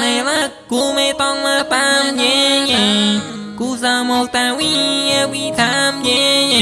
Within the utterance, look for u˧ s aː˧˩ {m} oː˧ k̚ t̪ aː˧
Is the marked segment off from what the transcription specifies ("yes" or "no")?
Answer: no